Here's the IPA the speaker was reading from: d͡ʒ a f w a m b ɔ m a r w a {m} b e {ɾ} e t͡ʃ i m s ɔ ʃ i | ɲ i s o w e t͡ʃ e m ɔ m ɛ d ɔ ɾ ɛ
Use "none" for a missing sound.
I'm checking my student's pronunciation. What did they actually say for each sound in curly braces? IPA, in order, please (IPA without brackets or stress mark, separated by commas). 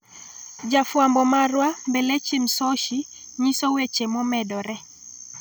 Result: m, l